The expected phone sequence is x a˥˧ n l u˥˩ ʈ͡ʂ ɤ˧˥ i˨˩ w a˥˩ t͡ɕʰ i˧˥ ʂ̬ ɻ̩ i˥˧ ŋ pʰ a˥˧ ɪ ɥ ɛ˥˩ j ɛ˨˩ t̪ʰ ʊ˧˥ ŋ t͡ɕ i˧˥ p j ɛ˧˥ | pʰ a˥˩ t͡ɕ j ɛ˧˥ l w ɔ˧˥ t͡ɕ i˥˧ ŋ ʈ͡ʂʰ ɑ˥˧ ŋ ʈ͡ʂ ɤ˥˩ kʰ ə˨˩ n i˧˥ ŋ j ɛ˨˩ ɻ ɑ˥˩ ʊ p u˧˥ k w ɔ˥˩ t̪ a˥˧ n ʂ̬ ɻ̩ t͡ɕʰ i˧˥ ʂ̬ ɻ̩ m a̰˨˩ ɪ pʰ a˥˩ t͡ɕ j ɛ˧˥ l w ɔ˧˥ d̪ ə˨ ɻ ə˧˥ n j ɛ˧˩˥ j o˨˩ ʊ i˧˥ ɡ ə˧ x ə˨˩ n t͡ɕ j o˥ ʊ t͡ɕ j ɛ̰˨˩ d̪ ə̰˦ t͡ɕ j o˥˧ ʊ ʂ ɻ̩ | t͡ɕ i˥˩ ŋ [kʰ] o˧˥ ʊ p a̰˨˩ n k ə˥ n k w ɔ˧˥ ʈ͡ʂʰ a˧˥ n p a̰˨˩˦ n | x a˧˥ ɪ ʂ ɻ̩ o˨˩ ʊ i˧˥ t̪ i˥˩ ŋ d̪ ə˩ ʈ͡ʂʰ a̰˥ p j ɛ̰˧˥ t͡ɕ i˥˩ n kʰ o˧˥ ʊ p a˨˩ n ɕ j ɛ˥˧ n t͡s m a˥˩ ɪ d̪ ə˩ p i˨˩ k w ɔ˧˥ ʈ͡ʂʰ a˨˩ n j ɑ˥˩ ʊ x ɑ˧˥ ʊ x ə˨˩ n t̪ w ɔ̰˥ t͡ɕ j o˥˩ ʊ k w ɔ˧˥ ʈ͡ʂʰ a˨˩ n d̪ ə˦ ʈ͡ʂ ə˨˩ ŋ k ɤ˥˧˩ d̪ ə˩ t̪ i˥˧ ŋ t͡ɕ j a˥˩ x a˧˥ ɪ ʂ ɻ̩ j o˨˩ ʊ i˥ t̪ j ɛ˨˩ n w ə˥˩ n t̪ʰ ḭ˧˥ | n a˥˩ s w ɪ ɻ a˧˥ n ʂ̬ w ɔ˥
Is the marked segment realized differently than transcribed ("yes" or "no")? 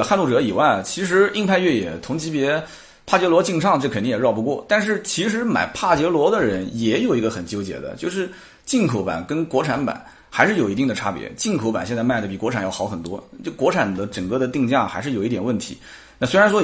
no